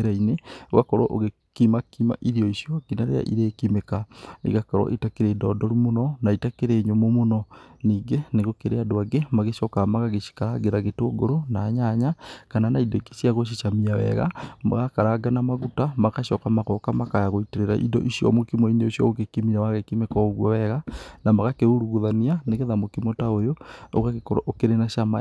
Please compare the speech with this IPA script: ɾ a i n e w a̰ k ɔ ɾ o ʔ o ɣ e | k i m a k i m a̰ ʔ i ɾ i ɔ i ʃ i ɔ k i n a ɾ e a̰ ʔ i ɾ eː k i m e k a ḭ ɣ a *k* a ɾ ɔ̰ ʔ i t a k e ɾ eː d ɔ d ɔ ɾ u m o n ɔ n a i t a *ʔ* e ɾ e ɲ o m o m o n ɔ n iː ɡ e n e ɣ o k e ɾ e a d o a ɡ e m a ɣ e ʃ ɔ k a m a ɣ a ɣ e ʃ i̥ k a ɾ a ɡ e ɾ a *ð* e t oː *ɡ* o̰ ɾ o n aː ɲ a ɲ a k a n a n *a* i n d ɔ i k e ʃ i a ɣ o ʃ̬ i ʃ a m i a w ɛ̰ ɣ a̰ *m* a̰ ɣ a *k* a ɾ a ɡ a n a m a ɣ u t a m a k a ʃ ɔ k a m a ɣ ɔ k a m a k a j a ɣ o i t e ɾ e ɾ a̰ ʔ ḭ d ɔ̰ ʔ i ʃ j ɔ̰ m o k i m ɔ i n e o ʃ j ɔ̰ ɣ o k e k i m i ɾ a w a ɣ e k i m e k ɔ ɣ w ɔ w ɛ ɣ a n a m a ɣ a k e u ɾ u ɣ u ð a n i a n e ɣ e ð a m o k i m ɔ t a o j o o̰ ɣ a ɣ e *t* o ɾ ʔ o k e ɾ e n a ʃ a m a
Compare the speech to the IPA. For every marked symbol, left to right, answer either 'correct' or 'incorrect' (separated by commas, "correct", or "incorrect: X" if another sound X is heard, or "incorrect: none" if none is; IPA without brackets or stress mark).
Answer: correct, incorrect: k, incorrect: ɣ, correct, correct, correct, correct, incorrect: k